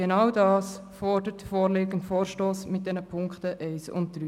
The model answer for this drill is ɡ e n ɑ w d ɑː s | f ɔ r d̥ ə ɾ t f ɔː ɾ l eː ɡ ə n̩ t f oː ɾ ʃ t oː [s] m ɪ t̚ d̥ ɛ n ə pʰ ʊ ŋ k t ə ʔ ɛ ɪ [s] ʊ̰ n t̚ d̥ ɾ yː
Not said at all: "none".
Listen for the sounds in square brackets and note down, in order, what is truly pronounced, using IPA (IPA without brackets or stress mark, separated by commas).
s, s